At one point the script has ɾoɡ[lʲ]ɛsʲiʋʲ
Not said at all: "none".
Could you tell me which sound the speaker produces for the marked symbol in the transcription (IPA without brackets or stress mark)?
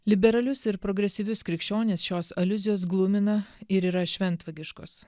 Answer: ɾʲ